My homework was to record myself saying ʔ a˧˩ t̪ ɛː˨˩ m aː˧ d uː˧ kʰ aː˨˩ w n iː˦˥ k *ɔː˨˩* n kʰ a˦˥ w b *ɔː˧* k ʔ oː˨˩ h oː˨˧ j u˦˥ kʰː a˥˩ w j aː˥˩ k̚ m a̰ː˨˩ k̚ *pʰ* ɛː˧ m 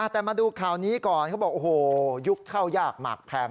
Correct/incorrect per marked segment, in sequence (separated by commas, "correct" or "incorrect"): correct, incorrect, correct